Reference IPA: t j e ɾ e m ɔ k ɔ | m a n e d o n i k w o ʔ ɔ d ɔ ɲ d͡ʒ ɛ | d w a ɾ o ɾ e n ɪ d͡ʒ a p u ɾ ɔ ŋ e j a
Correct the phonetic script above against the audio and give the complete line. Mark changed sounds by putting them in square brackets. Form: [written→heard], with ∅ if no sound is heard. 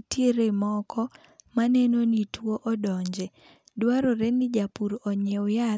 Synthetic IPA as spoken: t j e ɾ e m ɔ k ɔ | m a n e [d→n] o n i [k→t] w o ʔ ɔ d ɔ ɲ d͡ʒ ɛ | d w a ɾ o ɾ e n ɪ d͡ʒ a p u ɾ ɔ [ŋ→ɲ] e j a